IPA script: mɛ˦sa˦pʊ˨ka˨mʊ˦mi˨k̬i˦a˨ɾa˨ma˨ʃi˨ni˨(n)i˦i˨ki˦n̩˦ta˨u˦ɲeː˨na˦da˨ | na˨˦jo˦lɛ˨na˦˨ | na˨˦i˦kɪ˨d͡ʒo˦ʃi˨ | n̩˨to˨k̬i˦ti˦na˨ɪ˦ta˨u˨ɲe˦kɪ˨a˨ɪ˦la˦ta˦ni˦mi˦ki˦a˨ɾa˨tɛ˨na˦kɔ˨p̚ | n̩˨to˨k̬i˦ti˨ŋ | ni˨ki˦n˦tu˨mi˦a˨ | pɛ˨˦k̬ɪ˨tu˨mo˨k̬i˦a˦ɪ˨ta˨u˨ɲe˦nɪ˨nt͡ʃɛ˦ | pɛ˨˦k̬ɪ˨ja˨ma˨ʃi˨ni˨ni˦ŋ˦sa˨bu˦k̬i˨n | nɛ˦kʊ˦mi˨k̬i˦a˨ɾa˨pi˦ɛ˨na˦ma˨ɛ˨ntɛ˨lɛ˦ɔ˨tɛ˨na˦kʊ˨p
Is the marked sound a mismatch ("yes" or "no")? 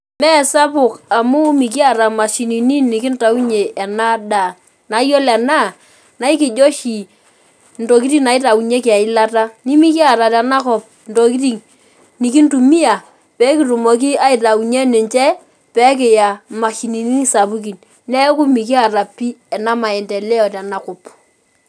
no